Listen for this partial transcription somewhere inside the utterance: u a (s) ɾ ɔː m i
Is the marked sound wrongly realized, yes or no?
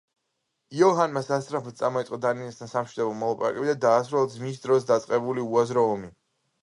yes